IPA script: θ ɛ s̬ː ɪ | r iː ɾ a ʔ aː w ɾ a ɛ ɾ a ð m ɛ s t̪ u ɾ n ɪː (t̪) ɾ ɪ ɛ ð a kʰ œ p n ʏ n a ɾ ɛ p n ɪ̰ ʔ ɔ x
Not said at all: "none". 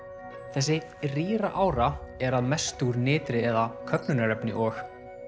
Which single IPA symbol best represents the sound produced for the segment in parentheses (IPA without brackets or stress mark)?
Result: t̪